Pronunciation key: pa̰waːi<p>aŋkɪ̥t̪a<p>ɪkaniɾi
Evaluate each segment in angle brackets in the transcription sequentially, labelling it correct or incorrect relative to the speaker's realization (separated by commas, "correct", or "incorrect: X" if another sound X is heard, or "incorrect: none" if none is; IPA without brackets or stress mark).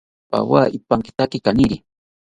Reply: correct, incorrect: k